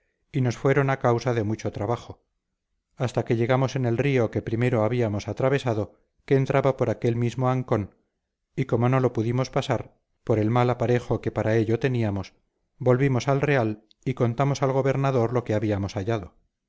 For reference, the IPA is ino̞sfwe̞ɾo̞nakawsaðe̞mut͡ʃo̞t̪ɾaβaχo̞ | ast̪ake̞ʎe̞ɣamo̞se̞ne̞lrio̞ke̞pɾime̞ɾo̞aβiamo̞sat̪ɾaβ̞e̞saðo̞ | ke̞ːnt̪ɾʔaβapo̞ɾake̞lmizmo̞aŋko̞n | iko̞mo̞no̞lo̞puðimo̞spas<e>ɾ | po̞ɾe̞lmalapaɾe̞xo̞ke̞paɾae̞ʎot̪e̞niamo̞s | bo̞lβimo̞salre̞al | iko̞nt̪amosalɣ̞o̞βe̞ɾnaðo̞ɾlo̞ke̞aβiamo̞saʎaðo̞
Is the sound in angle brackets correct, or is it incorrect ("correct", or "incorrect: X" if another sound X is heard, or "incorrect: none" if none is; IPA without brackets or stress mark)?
incorrect: a